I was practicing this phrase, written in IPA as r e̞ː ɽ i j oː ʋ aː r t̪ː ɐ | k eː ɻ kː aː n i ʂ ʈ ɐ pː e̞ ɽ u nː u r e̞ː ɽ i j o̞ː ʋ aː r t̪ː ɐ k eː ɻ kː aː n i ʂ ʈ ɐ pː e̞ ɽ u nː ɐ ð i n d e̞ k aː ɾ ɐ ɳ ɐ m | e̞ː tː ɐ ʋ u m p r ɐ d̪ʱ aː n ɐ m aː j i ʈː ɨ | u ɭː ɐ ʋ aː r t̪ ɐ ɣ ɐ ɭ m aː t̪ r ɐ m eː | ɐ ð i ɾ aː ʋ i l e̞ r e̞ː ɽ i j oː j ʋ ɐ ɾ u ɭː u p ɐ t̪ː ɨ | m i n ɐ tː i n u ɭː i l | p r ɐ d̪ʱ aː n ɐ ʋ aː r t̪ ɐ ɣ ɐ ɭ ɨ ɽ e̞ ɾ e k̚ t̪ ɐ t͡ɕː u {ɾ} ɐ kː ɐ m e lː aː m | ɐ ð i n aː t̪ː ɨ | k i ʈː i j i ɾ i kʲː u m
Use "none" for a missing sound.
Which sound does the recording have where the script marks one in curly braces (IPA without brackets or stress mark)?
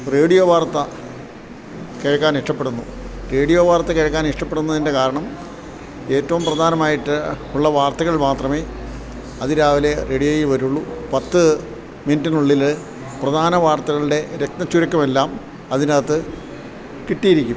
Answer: ɾ